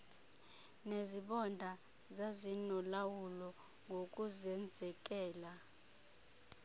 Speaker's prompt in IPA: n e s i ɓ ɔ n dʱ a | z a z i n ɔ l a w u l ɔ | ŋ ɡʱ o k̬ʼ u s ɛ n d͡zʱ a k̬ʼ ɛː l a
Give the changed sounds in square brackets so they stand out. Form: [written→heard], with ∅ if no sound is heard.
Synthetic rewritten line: n e [s→z] i ɓ ɔ n dʱ a | z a z i n ɔ l a w u l ɔ | ŋ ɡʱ o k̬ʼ u [s→z] ɛ n d͡zʱ [a→ɛ] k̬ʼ ɛː l a

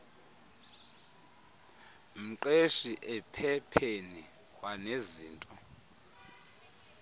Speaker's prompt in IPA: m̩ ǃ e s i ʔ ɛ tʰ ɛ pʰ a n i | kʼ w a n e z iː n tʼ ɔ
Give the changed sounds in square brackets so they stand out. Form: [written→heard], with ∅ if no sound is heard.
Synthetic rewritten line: m̩ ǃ e [s→ʃ] i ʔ ɛ [tʰ→pʰ] ɛ pʰ [a→e] n i | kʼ w a n e z iː n tʼ ɔ

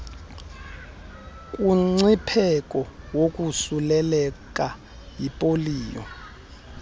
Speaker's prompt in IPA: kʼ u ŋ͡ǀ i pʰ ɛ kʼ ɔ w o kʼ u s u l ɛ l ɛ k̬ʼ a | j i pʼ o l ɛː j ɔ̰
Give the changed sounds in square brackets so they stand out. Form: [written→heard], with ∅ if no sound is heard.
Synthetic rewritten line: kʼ u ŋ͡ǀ i pʰ ɛ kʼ ɔ w o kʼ u s u l ɛ l ɛ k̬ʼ a | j i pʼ o l [ɛː→iː] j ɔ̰

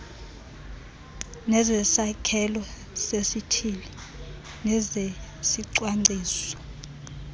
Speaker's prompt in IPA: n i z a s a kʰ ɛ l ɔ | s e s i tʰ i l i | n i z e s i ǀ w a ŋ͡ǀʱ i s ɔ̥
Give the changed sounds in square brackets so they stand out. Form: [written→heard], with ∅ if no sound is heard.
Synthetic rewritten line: n [i→ɛ] z [a→ɛ] s a kʰ ɛ l ɔ | s e s i tʰ i l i | n [i→ɛ] z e s i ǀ w a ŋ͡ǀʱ [i→iː] s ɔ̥

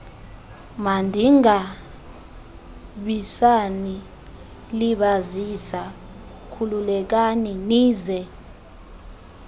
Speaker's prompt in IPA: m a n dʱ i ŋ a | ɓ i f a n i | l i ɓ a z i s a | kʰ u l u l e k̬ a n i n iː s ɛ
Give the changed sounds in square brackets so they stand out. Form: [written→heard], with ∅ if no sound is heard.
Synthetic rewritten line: m a n dʱ i ŋ a | ɓ i [f→s] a n i | l i ɓ a z i s a | kʰ u l u l [e→ɛ] k̬ a n i n iː [s→z] ɛ

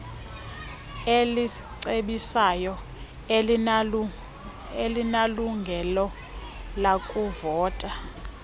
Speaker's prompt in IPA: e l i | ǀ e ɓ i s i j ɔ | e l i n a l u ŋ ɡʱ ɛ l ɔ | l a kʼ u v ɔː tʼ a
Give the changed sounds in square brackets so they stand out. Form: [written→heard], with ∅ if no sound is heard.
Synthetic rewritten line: e l i | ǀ e ɓ i s [i→a] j ɔ | e l i n a l u ŋ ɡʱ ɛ l ɔ | l a kʼ u v ɔː tʼ a

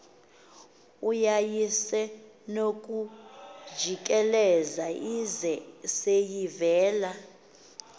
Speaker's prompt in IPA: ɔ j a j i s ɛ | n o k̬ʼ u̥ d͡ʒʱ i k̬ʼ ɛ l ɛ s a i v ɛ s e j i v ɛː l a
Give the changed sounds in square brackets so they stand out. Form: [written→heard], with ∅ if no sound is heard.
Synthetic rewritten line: [ɔ→u] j a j i s ɛ | n o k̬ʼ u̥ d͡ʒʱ i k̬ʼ ɛ l ɛ [s→z] a i [v→z] ɛ s e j i v ɛː l a

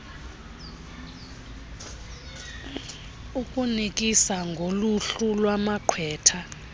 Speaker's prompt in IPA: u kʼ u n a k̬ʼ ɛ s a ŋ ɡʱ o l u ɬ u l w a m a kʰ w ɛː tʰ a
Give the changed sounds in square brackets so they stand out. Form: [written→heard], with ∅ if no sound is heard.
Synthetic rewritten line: u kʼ u n [a→i] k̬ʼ [ɛ→i] s a ŋ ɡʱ o l u ɬ u l w a m a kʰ w ɛː tʰ a

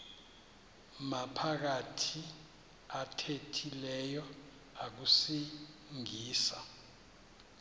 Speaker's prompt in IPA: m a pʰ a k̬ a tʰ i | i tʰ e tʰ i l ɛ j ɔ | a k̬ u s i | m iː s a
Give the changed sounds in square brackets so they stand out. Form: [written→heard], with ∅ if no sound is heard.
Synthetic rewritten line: m a pʰ a k̬ a tʰ i | [i→a] tʰ e tʰ i l ɛ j ɔ | a k̬ u s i | [m→ŋ] iː s a

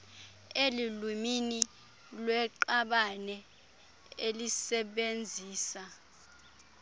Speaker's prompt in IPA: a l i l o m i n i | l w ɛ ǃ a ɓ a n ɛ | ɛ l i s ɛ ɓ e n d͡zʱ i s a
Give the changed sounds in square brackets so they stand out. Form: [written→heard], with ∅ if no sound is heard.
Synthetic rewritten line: [a→e] l i l [o→u] m i n i | l w ɛ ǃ a ɓ a n ɛ | [ɛ→e] l i s ɛ ɓ e n d͡zʱ [i→iː] s a

